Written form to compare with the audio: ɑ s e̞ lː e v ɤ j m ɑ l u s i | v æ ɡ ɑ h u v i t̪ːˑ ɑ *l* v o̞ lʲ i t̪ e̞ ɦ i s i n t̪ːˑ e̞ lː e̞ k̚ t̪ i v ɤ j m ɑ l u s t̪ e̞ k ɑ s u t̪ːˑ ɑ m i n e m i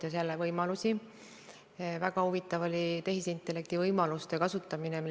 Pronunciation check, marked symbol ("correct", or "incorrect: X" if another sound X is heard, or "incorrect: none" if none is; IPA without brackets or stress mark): incorrect: none